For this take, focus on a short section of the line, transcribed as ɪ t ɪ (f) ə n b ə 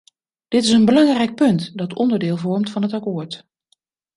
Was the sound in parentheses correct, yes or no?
no